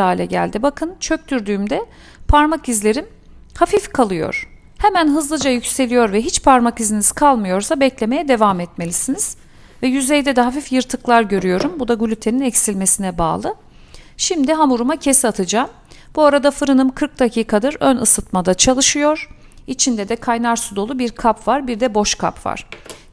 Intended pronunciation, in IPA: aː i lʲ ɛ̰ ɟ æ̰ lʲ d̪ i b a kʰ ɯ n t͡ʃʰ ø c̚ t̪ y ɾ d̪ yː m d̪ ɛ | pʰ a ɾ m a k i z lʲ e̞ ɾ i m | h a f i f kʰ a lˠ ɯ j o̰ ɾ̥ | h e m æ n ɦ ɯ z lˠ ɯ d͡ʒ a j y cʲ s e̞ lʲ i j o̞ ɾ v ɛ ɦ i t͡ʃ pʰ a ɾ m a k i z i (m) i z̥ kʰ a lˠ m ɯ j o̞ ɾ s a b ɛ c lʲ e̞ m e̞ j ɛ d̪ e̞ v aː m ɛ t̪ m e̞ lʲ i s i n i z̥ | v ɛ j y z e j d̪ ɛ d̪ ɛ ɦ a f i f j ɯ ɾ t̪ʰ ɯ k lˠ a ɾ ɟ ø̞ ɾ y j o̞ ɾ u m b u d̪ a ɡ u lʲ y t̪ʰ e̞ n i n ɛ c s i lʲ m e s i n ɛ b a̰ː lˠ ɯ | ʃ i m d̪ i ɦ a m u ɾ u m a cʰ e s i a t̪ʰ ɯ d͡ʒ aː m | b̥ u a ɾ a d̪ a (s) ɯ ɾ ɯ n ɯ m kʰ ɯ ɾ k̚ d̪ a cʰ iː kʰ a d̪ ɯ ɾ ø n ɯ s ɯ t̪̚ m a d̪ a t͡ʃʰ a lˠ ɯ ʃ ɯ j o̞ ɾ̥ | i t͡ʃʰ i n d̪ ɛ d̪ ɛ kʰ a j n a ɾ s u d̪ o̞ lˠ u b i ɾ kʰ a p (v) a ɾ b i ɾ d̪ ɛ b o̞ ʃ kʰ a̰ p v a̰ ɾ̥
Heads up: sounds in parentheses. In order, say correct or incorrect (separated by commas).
incorrect, incorrect, correct